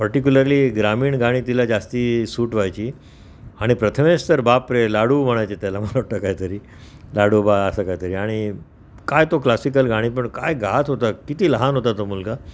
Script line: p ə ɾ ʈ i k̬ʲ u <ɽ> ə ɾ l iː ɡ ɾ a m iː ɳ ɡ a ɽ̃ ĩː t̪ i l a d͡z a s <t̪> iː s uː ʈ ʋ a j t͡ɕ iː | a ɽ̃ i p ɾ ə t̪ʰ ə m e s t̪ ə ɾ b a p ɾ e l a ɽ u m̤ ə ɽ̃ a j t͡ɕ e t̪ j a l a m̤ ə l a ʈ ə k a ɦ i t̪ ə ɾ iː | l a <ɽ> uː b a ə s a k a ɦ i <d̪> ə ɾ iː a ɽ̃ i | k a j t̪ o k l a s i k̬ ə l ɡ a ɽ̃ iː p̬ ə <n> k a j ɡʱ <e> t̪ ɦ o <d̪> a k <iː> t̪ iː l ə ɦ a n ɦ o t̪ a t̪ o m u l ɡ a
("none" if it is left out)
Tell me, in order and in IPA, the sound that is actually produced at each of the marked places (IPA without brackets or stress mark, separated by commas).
l, t̪, ɽ, t̪, ɳ, a, t̪, i